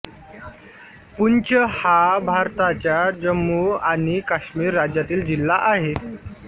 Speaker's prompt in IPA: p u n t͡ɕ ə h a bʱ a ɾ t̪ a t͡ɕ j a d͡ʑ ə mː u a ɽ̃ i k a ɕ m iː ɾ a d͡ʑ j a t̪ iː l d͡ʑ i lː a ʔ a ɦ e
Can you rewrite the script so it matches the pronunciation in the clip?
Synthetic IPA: p u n t͡ɕ ə h a bʱ a ɾ t̪ a t͡ɕ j a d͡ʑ ə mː u a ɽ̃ i k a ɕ m iː ɾː a d͡ʑ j a t̪ iː l d͡ʑ i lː a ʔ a ɦ e